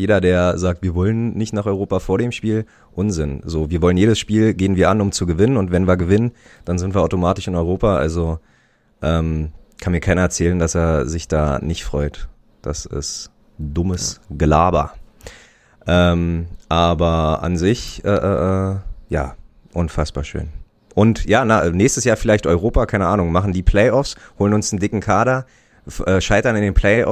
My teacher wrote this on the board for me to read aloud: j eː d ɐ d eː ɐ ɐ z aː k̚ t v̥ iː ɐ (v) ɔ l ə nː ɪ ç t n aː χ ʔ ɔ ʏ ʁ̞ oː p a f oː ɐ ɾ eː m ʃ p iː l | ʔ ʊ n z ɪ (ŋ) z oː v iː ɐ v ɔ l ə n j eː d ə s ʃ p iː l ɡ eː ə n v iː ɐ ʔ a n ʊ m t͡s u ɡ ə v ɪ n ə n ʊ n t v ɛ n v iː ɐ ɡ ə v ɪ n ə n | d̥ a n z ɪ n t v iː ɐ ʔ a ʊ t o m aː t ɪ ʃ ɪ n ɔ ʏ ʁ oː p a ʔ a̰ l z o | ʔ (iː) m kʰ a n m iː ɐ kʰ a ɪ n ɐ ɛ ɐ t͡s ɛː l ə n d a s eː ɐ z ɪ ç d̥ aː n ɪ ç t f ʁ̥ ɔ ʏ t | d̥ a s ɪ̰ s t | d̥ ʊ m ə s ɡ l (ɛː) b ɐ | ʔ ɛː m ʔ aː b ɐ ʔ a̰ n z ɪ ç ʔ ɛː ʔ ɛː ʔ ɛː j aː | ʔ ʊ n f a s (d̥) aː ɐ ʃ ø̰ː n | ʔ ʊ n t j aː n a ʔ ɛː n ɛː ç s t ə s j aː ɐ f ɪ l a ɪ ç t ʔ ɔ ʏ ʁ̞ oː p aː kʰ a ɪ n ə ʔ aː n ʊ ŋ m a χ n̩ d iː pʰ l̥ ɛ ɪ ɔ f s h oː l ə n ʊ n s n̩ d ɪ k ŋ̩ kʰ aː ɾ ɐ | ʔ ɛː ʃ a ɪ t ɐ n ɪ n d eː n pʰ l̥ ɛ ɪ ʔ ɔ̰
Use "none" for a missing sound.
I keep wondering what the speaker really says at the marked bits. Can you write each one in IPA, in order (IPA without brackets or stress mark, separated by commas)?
v, n, ɛː, aː, b̥